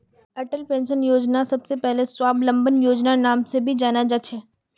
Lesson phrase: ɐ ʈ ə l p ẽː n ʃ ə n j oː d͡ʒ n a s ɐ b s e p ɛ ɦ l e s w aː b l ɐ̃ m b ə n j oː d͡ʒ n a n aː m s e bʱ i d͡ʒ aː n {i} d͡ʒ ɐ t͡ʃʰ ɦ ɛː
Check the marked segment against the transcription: incorrect: a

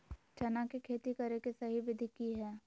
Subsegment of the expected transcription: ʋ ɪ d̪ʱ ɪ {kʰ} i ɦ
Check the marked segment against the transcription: incorrect: k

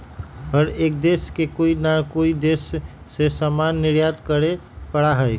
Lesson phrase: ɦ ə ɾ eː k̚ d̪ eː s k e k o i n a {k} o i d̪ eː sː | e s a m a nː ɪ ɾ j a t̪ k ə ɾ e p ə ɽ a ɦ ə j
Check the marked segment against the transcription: correct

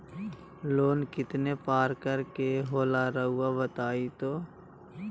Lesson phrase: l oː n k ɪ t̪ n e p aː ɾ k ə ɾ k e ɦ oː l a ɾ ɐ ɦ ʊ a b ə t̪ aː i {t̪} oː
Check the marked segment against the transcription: correct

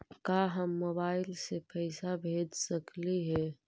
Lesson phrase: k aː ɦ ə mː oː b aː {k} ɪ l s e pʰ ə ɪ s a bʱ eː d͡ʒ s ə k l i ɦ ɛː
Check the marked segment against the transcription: incorrect: none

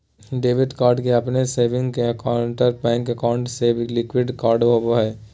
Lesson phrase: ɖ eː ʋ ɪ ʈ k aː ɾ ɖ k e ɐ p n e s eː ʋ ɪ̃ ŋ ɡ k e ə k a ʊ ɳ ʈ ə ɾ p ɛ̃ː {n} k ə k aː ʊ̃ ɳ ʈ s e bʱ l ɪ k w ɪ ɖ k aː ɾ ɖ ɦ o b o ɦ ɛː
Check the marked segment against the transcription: incorrect: ŋ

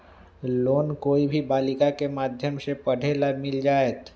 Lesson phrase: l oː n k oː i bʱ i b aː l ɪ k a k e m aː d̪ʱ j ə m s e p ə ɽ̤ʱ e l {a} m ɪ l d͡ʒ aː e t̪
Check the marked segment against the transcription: correct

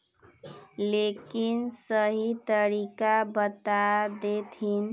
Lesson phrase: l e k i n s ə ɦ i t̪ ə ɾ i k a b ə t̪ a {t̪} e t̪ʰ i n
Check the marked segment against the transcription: incorrect: d̪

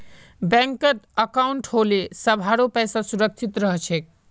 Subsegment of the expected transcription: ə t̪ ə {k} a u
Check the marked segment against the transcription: correct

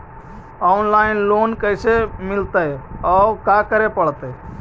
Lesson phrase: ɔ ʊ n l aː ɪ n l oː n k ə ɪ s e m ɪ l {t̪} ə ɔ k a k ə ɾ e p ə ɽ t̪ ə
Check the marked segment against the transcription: correct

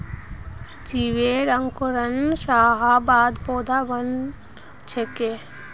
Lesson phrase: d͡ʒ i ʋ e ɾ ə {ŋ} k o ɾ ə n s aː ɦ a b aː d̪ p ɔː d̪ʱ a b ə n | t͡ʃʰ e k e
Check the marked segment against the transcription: correct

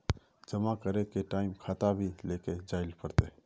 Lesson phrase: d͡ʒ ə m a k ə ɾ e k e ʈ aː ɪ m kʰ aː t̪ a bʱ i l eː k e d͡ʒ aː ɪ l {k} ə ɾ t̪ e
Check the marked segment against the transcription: incorrect: p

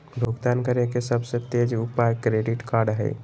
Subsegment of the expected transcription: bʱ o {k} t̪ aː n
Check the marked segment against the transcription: incorrect: ɡ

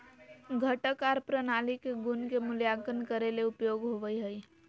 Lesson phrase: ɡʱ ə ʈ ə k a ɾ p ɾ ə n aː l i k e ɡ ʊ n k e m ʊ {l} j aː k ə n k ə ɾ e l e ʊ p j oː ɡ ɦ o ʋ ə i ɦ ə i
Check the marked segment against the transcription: correct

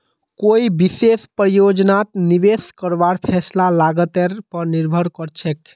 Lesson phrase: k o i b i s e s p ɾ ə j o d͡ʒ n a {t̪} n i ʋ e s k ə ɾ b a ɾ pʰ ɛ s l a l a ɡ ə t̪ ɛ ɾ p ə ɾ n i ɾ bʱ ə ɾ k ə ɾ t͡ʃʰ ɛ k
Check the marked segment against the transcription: correct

